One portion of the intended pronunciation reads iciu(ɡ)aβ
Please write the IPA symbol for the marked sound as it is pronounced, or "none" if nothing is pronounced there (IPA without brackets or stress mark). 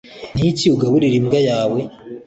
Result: ɡ